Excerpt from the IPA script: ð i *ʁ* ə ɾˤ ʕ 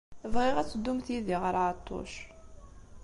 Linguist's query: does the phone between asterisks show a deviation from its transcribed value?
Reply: no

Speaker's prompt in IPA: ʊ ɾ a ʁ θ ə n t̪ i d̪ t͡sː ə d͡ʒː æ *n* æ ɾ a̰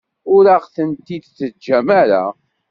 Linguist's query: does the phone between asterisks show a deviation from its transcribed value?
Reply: yes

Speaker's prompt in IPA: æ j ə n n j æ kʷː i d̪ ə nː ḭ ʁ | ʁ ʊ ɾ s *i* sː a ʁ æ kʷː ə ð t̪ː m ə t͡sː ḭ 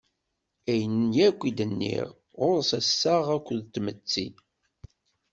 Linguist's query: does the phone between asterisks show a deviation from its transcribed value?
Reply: yes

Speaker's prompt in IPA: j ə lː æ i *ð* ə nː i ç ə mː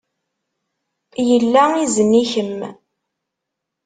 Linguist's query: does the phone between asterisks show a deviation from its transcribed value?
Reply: yes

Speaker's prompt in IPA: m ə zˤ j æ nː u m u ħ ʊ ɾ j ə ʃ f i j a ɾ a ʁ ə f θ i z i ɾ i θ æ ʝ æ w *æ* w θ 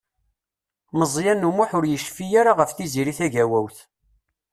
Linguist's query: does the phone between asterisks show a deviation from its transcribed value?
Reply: no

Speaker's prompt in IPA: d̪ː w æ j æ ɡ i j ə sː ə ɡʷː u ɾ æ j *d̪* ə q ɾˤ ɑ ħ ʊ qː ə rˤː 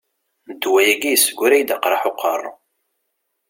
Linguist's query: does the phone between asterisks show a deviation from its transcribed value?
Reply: no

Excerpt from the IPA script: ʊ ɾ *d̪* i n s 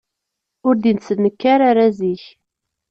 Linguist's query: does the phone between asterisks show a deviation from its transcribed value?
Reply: no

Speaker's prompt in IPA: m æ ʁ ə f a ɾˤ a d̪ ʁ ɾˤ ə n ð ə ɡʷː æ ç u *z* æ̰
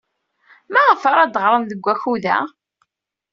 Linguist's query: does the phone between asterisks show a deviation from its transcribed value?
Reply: yes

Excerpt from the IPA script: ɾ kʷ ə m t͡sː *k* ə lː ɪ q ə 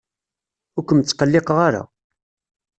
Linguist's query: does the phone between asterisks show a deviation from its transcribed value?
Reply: yes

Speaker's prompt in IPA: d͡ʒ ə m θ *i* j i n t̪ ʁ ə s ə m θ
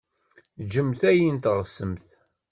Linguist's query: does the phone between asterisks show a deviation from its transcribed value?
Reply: yes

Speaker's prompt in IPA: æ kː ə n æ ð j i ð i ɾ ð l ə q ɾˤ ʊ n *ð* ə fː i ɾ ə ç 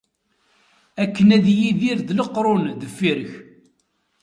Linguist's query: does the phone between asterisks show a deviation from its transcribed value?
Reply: no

